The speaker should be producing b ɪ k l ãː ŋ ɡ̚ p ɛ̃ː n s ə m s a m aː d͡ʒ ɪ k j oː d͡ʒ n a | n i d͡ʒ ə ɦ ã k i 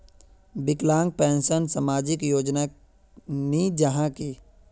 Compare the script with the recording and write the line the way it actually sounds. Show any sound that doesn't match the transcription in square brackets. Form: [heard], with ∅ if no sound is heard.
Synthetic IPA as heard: b ɪ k l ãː ŋ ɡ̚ p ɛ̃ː n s ə [n] s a m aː d͡ʒ ɪ k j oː d͡ʒ n a | n i d͡ʒ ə ɦ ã k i